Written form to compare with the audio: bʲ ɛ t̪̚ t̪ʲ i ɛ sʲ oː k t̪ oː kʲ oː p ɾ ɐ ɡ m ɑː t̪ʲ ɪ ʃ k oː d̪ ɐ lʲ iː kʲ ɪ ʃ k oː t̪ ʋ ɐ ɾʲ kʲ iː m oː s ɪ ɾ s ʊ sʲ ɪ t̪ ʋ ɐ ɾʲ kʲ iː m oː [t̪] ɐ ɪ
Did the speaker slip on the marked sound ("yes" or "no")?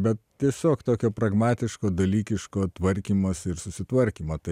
no